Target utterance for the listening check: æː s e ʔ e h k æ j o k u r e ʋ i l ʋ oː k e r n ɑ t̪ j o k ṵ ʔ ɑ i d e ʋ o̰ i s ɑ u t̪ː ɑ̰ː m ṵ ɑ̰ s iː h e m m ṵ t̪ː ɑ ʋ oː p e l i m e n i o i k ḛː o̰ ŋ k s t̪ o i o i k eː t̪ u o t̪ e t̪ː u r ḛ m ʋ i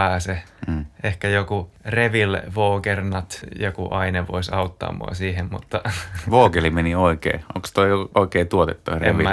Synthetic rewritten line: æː s e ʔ e h k æ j o k u r e ʋ i l ʋ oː k e r n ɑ t̪ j o k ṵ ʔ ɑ i n e ʋ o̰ i s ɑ u t̪ː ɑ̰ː m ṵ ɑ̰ s iː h e m m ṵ t̪ː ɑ ʋ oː k e l i m e n i o i k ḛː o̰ ŋ k s t̪ o i o i k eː t̪ u o t̪ e t̪ː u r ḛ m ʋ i